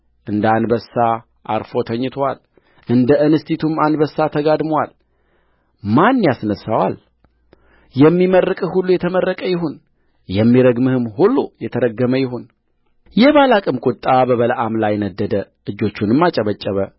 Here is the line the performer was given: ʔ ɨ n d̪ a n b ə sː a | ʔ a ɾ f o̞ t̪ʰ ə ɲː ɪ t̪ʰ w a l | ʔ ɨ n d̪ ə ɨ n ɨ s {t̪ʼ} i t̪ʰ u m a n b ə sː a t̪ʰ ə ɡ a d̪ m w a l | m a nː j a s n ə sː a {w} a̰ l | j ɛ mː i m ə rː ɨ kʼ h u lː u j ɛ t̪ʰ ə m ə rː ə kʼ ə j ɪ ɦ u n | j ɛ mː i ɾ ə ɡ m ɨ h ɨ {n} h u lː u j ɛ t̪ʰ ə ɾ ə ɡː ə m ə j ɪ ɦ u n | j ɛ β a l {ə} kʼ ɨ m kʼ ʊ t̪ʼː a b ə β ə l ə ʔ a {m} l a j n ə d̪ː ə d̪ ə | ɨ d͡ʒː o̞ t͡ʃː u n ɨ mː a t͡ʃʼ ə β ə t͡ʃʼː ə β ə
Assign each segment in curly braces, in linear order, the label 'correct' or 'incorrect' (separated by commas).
incorrect, correct, incorrect, incorrect, correct